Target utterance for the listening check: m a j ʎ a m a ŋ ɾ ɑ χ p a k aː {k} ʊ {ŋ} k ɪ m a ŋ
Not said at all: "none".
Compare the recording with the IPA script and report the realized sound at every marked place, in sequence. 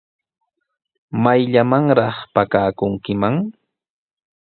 k, ŋ

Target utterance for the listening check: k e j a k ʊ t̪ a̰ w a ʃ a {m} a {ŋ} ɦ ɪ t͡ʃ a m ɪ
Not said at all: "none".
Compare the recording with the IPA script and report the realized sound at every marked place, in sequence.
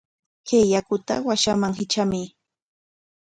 m, ŋ

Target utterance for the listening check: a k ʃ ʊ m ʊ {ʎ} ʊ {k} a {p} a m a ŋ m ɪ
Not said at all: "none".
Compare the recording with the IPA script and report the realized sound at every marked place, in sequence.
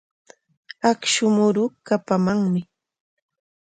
ɾ, k, p

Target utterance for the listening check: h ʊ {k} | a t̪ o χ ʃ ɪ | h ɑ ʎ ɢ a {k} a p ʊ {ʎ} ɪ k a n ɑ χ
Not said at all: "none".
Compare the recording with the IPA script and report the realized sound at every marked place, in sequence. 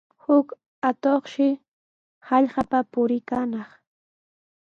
k, p, ɾ

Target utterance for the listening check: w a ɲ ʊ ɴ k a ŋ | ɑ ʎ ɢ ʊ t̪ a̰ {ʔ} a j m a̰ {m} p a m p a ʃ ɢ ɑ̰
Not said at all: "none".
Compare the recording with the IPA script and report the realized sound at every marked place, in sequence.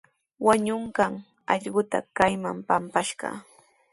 k, m

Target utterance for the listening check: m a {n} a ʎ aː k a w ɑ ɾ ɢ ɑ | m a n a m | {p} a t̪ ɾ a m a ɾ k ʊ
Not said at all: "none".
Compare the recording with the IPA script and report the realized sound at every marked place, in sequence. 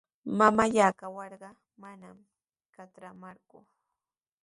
m, k

